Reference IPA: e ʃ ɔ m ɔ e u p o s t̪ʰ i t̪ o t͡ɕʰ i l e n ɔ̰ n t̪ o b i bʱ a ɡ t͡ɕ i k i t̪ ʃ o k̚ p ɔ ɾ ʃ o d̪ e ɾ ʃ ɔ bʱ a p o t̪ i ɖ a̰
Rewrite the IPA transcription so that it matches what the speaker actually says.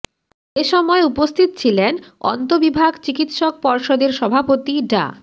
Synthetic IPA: e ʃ ɔ m ɔ e u p o s t̪ʰ i t̪ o t͡ɕʰ i l e n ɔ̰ n t̪ o b i bʱ a ɡ t͡ɕ i k i t̪ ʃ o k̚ p ɔ ɾ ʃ o d̪ e ɾ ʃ ɔ bʱ a p o t̪ i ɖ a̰